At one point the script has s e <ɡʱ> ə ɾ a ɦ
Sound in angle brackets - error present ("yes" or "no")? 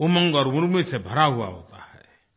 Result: yes